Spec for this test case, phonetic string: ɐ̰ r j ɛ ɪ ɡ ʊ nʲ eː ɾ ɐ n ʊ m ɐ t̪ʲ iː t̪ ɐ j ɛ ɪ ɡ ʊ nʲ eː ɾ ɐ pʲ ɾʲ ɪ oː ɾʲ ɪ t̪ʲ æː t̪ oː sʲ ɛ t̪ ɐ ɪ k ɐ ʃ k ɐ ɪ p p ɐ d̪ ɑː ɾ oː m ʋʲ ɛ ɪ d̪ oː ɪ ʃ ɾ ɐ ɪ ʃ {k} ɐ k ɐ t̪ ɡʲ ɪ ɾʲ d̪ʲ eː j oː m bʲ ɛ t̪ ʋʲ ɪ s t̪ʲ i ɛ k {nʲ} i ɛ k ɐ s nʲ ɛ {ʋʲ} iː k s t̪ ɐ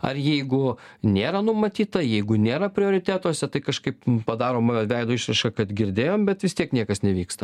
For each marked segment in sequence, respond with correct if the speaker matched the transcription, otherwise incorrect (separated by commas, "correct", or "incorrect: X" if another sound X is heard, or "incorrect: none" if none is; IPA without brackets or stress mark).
correct, correct, correct